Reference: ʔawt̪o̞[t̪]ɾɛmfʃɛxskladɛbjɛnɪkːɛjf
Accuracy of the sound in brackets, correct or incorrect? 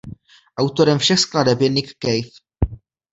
incorrect